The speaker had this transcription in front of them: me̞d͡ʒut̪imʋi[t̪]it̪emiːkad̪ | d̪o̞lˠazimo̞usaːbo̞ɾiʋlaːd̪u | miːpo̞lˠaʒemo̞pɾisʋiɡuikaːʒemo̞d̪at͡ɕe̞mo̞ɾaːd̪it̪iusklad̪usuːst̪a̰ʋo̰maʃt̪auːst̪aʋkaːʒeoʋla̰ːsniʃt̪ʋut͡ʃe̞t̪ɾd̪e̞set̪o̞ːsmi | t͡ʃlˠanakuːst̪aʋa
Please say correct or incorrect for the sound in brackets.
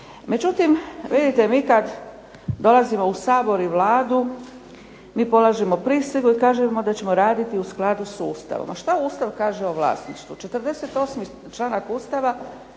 incorrect